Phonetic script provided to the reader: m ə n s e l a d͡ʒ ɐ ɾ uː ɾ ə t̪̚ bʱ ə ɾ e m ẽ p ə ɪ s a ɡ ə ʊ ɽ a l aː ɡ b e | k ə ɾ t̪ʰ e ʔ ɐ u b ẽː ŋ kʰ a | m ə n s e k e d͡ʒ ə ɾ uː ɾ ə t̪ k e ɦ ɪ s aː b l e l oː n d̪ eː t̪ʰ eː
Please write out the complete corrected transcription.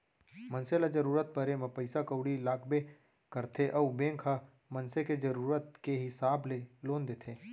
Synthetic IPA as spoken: m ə n s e l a d͡ʒ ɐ ɾ uː ɾ ə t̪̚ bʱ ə ɾ e m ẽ p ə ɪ s a k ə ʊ ɽ i l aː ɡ b e | k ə ɾ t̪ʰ e ʔ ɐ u b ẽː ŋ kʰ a | m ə n s e k e d͡ʒ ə ɾ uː ɾ ə t̪ k e ɦ ɪ s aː b l e l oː n d̪ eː t̪ʰ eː

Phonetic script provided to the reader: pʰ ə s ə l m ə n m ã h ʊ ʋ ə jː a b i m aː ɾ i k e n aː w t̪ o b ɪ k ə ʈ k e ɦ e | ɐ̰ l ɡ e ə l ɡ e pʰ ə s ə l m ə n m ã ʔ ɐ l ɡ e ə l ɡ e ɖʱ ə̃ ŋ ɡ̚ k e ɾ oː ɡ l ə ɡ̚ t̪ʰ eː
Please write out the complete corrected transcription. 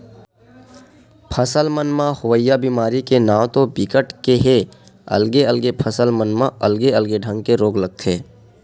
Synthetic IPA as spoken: pʰ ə s ə l m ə n m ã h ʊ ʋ ə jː a b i m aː ɾ i k e n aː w t̪ o b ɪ k ə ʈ k e ɦ e | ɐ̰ l ɡ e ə l ɡ e pʰ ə s ə l m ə n m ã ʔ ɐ l ɡ e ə l ɡ e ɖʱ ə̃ ŋ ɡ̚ k e ɾ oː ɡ l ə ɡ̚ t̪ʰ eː

